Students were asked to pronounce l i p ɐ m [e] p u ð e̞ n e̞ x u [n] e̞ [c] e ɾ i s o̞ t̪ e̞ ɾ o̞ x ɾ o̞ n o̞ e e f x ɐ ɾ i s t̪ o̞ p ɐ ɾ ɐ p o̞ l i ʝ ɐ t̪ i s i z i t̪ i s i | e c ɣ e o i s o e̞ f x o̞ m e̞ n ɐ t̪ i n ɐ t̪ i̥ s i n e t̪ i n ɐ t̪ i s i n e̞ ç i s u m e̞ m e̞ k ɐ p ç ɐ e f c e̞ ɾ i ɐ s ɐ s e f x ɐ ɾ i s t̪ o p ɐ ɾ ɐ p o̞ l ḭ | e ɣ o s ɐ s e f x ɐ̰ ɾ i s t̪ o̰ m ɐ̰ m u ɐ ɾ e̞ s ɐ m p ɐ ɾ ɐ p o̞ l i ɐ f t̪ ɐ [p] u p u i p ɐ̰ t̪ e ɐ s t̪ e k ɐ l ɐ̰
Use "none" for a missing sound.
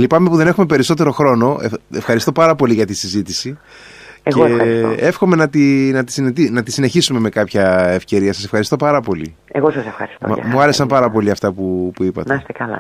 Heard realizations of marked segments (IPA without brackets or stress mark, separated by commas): e, m, p, p